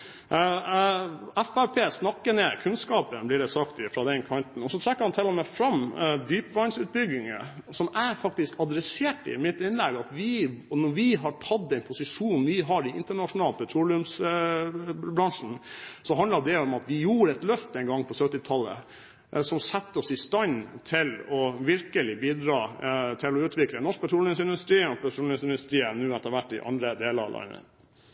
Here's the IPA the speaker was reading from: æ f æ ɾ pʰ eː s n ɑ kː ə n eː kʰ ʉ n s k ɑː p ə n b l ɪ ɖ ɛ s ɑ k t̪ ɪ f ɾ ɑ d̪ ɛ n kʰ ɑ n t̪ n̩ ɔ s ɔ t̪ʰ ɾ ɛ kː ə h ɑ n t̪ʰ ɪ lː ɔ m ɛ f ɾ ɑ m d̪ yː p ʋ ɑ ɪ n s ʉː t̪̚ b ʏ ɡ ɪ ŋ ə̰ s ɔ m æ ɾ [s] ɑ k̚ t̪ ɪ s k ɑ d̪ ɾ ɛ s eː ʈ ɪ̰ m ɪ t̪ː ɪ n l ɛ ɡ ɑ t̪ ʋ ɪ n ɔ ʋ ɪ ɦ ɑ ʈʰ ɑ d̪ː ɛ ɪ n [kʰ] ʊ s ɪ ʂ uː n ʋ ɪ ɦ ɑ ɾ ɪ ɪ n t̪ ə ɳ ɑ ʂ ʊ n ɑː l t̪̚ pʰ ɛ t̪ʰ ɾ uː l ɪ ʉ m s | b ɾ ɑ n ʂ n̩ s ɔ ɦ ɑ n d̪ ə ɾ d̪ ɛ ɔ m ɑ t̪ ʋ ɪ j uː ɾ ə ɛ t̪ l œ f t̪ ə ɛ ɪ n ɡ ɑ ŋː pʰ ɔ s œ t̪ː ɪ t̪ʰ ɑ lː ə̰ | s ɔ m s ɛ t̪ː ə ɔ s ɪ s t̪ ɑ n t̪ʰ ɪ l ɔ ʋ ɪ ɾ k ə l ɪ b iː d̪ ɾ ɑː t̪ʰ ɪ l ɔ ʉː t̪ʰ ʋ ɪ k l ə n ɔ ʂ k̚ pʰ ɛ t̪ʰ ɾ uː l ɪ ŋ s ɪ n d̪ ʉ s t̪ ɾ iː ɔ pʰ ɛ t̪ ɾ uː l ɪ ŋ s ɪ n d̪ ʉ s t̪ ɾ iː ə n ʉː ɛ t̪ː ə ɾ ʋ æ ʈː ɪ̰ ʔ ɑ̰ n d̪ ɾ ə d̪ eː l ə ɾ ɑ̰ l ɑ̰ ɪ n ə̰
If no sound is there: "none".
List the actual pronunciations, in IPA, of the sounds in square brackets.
f, pʰ

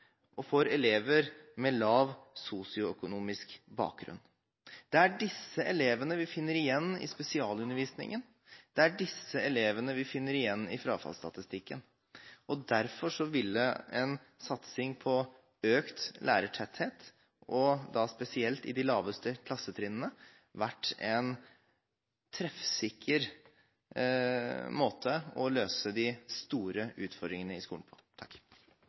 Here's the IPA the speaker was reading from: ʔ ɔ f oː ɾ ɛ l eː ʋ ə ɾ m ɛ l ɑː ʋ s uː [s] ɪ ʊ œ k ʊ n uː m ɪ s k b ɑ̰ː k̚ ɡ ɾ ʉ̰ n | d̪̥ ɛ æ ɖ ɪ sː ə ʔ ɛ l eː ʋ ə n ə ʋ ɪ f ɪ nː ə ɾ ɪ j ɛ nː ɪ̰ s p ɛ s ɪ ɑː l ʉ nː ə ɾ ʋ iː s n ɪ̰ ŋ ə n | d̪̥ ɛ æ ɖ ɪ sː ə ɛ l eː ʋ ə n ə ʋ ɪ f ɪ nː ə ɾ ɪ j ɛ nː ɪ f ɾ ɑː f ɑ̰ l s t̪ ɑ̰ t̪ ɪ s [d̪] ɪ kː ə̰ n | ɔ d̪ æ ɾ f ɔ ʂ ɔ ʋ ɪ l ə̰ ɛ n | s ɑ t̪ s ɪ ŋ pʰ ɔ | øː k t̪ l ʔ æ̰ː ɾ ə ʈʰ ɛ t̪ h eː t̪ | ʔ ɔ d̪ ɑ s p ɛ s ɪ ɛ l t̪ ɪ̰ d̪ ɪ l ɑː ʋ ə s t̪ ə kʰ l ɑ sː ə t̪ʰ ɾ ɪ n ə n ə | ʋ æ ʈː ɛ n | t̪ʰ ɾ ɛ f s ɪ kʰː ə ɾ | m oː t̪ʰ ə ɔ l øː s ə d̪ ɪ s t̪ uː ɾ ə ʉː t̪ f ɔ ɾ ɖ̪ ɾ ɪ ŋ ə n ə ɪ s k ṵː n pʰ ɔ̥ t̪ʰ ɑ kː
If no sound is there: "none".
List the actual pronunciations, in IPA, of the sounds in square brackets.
s, t̪

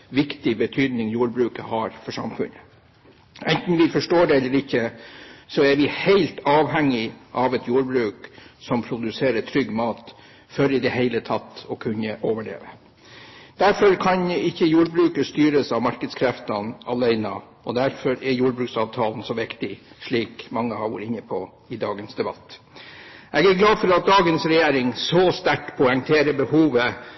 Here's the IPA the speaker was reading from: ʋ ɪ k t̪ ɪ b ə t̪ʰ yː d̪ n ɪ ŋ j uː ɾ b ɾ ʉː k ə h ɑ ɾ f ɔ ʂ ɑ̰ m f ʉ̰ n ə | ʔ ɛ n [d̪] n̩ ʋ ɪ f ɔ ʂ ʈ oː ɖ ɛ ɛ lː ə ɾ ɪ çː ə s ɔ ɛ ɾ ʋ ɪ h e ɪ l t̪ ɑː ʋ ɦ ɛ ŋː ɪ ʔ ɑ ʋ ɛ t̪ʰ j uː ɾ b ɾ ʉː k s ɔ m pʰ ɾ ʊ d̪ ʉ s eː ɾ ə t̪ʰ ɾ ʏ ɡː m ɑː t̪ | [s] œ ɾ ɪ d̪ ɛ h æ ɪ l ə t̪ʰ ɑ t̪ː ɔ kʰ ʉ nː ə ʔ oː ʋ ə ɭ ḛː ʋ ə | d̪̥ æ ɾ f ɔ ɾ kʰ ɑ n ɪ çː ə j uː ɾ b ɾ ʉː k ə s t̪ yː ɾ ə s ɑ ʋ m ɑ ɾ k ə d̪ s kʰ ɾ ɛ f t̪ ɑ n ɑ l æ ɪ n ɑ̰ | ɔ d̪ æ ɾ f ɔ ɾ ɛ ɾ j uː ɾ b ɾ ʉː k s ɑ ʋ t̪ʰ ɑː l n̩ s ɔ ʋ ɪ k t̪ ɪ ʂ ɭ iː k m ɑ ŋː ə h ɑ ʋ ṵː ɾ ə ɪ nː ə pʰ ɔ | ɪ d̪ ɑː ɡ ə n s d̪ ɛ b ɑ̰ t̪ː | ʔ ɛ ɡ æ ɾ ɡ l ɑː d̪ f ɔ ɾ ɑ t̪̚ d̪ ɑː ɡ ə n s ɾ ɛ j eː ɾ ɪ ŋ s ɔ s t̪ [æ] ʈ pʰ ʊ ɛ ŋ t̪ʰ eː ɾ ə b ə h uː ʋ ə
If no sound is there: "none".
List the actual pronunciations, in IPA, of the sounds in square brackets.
t̪, f, æ

